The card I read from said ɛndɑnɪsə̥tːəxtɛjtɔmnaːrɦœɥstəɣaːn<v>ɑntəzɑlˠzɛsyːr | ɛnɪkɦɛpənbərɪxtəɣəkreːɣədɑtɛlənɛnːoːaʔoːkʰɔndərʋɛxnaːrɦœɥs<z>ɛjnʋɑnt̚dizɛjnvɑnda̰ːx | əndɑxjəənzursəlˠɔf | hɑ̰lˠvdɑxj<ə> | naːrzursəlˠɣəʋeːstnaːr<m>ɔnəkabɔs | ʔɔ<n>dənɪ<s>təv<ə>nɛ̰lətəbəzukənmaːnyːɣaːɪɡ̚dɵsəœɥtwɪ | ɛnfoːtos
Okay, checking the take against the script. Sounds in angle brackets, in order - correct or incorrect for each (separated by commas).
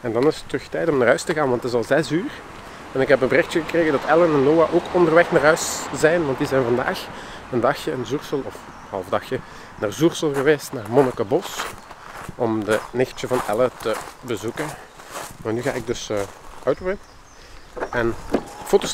incorrect, correct, correct, correct, incorrect, incorrect, incorrect